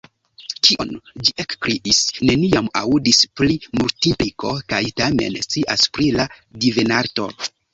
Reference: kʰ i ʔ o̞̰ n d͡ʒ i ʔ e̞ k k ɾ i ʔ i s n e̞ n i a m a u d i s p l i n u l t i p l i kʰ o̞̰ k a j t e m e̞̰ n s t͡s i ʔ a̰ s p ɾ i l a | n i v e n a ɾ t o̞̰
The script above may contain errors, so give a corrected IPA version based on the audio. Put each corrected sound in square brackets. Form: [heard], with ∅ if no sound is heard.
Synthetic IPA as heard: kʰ i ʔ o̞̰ n d͡ʒ i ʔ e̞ k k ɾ i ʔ i s n e̞ n i a m a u d i s p l i [m] u l t i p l i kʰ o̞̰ k a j t [a] m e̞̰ n s t͡s i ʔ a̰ s p ɾ i l a | [d] i v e n a ɾ t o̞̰